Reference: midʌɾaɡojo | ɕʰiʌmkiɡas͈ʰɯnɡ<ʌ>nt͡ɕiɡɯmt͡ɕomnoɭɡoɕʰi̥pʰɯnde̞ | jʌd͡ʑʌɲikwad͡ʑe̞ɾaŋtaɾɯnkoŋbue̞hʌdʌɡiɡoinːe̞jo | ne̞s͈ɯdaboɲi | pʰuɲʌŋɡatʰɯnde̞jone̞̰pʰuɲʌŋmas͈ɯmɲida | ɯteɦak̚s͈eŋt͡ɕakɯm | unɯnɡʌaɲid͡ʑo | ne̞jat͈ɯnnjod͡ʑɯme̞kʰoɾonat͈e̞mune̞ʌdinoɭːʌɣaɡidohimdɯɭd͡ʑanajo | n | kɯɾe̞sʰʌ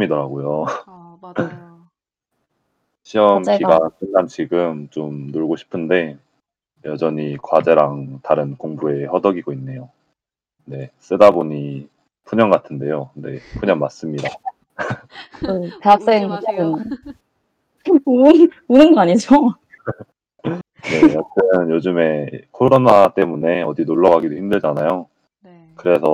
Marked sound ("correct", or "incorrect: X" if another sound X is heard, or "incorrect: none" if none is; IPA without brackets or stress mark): incorrect: a